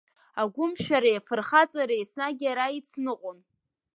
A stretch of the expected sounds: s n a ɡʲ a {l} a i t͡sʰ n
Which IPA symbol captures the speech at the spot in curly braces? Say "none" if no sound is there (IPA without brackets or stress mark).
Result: ɾ